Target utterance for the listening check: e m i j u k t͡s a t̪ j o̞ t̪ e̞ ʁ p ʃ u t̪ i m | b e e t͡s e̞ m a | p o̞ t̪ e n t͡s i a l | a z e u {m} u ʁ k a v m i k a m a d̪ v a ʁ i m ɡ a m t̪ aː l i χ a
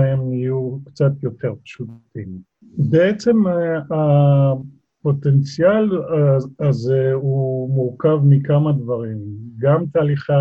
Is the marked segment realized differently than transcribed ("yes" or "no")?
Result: no